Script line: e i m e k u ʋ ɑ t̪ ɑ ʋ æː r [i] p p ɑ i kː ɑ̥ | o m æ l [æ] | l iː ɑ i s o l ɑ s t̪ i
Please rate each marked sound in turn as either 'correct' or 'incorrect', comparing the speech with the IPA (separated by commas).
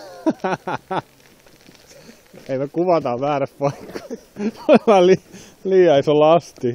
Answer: incorrect, incorrect